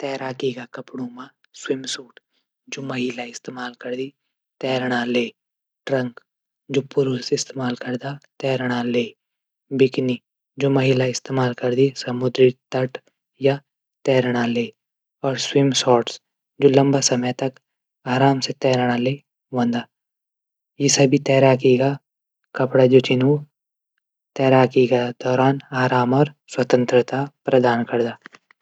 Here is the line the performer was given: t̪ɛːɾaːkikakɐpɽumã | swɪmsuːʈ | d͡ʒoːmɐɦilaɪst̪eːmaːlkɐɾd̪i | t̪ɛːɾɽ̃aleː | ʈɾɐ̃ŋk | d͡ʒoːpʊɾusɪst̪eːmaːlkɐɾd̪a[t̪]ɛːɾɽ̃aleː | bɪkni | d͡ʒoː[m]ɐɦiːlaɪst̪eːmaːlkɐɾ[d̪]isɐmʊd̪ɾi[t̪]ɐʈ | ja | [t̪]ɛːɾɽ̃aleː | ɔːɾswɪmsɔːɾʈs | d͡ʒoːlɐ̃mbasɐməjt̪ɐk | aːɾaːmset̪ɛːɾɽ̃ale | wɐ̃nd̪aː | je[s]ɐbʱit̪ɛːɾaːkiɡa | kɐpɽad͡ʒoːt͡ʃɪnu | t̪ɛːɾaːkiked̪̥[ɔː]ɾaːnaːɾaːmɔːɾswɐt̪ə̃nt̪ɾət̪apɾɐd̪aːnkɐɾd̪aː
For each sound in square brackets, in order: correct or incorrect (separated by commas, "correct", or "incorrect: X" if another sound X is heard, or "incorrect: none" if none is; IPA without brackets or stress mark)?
correct, correct, correct, correct, correct, correct, correct